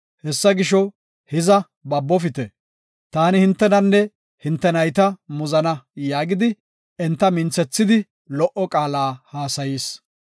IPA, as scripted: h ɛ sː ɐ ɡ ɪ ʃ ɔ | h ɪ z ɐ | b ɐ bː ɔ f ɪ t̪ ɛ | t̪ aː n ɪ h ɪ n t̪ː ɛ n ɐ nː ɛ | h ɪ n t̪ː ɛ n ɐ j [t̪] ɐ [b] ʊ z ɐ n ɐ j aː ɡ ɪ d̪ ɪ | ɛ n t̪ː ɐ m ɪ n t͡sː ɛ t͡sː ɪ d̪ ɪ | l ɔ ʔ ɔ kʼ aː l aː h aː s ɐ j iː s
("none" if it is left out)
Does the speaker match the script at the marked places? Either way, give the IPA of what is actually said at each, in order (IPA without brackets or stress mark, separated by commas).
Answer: t̪, m